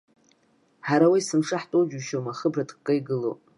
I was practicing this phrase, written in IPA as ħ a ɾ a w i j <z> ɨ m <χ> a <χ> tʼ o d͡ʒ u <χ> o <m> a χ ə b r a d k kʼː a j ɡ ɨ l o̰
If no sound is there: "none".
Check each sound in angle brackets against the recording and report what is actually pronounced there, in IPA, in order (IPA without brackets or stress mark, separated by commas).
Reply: s, ʂ, ħ, ʃ, m